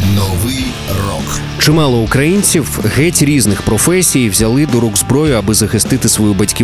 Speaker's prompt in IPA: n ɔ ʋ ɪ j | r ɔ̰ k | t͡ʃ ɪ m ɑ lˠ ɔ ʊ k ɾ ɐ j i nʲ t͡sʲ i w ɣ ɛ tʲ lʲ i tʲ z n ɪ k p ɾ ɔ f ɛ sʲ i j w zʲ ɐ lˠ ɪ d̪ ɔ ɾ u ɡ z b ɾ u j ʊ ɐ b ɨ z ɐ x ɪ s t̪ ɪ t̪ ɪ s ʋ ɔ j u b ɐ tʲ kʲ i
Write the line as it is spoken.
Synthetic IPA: n ɔ ʋ ɪ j | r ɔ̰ k | t͡ʃ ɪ m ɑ lˠ ɔ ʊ k ɾ ɐ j i nʲ t͡sʲ i w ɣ ɛ tʲ ɾʲ i z n ɪ x p ɾ ɔ f ɛ sʲ i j w zʲ ɐ lˠ ɪ d̪ ɔ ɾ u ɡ z b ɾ ɔ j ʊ ɐ b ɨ z ɐ x ɪ s t̪ ɪ t̪ ɪ s ʋ ɔ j u b ɐ tʲ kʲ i